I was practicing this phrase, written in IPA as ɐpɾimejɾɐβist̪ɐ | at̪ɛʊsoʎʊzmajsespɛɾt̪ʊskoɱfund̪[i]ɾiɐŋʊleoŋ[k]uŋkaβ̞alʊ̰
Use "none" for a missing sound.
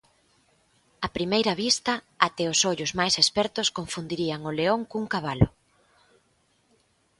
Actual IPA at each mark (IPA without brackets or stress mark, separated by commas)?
i, k